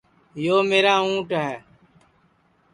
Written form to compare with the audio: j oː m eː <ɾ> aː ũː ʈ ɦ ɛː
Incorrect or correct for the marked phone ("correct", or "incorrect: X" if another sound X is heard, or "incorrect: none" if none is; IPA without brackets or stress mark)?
correct